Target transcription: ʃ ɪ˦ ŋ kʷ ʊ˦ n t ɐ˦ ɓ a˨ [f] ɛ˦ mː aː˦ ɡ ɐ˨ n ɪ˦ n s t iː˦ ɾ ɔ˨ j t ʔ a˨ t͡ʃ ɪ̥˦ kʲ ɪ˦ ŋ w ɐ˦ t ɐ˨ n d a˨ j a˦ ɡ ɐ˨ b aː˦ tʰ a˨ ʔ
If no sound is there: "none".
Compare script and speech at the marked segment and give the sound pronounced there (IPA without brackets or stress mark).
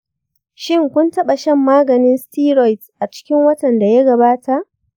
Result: ʃ